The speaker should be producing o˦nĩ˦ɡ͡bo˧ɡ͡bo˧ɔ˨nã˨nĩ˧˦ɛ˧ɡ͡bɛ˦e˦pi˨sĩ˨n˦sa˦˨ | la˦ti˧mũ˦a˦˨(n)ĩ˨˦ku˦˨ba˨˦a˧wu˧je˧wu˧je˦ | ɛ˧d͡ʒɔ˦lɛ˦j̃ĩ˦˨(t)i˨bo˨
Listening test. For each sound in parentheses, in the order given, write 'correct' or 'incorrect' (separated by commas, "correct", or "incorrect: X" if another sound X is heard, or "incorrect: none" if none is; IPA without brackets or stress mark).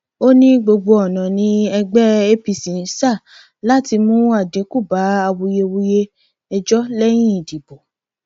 incorrect: d, incorrect: d